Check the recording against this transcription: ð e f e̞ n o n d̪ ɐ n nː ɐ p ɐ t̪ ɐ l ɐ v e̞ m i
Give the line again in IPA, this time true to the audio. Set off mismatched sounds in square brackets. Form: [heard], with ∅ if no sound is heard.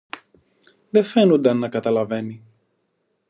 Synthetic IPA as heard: ð e f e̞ n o n d̪ ɐ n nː ɐ [k] ɐ t̪ ɐ l ɐ v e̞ [n] i